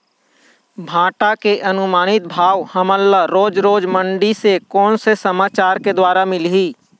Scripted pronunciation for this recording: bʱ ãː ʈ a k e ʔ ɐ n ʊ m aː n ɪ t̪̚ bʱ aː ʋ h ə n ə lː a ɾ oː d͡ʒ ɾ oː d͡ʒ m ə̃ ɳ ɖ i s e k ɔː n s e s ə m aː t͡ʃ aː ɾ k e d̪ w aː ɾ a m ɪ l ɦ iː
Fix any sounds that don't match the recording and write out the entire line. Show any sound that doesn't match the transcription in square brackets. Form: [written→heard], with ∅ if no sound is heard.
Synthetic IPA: bʱ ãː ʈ a k e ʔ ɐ n ʊ m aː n ɪ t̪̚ bʱ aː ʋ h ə [n→m] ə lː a ɾ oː d͡ʒ ɾ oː d͡ʒ m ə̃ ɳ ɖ i s e k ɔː n s e s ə m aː t͡ʃ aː ɾ k e d̪ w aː ɾ a m ɪ l ɦ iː